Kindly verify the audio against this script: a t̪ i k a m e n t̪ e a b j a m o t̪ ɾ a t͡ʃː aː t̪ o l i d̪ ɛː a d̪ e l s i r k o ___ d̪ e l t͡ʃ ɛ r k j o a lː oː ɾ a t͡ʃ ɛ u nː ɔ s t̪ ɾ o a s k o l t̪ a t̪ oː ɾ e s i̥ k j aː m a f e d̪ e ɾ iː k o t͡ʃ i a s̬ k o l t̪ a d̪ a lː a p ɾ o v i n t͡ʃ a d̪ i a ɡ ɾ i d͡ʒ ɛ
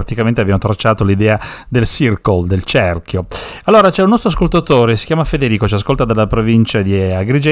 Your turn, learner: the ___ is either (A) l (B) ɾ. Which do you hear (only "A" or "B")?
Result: A